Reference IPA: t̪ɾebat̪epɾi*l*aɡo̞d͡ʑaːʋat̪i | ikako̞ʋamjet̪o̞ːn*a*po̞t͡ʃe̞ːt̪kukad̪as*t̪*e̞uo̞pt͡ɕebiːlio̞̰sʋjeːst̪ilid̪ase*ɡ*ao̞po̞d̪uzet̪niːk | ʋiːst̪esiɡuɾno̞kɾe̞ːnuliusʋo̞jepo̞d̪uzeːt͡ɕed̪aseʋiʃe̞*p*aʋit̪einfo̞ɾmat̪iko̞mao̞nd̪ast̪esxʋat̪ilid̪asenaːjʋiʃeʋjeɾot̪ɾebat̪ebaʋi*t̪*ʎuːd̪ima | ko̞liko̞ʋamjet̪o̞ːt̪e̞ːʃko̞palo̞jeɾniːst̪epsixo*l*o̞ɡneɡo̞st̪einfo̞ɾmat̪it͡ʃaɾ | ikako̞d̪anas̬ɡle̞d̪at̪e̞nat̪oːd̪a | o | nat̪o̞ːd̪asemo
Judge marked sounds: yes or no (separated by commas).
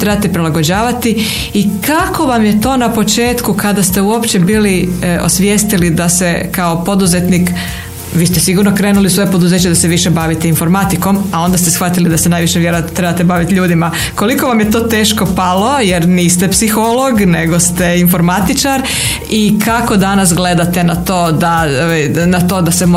yes, yes, yes, no, no, yes, yes